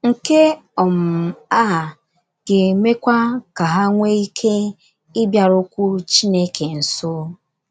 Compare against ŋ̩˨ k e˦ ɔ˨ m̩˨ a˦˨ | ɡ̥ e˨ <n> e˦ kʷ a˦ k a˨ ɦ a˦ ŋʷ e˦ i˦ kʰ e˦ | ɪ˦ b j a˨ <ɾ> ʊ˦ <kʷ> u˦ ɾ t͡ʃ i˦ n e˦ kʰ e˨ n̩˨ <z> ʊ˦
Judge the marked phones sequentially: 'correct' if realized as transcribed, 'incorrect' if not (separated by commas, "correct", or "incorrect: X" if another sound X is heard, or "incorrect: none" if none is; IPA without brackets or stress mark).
incorrect: m, correct, correct, incorrect: s